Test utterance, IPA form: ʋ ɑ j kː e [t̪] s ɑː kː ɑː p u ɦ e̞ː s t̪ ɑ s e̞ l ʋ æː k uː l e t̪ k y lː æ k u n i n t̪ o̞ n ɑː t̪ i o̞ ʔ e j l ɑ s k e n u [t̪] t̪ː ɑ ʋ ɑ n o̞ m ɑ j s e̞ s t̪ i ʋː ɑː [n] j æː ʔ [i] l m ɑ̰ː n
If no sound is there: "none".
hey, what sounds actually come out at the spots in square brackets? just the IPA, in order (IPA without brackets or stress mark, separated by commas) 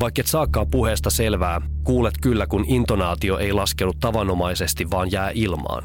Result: t̪, t̪, n, i